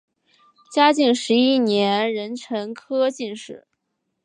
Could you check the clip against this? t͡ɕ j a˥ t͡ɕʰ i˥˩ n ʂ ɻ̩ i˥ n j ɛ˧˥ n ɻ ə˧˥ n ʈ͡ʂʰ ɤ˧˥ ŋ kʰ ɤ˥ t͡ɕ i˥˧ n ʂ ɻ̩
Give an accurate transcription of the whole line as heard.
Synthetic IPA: t͡ɕ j a˥ t͡ɕ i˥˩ ŋ ʂ ɻ̩ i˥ n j ɛ˧˥ n ɻ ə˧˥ n ʈ͡ʂʰ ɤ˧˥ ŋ kʰ ɤ˥ t͡ɕ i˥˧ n ʂ ɻ̩

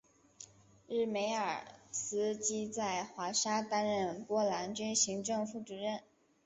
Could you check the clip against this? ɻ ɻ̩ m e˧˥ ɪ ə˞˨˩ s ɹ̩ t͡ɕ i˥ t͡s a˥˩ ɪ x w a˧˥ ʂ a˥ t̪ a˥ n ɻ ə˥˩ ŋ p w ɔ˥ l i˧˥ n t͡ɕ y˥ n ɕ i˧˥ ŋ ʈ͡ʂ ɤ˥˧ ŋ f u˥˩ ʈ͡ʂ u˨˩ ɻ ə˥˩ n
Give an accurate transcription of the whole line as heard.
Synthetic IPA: ɻ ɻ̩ m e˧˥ ɪ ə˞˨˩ s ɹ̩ t͡ɕ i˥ t͡s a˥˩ ɪ x w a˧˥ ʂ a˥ t̪ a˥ n ɻ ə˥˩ n p w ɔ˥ l a˧˥ n t͡ɕ y˥ n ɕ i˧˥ ŋ ʈ͡ʂ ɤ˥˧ ŋ f u˥˩ ʈ͡ʂ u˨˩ ɻ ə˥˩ n

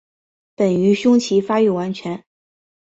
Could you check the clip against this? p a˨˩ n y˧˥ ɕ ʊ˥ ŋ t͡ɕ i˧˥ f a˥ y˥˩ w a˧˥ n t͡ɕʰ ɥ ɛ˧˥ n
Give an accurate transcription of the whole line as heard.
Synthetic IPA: p ə˨˩ n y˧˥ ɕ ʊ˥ ŋ t͡ɕʰ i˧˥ f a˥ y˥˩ w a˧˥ n t͡ɕʰ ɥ ɛ˧˥ n

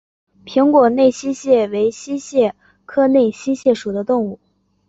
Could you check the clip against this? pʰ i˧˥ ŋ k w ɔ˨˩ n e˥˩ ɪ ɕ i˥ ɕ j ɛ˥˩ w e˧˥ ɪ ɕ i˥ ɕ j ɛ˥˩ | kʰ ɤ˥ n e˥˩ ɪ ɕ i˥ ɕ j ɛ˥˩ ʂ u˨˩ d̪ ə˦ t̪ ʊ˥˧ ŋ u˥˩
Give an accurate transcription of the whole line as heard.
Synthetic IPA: pʰ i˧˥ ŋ k w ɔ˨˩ n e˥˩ ɪ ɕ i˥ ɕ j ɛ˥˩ w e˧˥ ɪ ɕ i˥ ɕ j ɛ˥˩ | kʰ ɤ˥ n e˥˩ ɪ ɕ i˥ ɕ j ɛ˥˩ ʂ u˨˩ d̪ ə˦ t̪ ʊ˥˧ ŋ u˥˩

